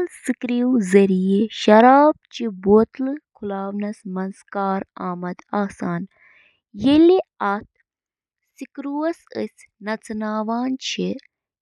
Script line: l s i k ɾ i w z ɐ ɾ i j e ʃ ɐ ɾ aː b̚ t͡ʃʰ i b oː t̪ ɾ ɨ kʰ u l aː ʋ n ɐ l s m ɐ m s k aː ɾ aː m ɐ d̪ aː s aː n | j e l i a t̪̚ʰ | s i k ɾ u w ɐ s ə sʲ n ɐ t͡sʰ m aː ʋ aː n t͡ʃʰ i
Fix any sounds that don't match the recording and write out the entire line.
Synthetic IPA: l s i k ɾ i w z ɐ ɾ i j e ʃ ɐ ɾ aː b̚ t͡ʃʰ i b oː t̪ l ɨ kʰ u l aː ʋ n ɐ s m ɐ n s k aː ɾ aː m ɐ d̪ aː s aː n | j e l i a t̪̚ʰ | s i k ɾ u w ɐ s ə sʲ n ɐ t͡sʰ n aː ʋ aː n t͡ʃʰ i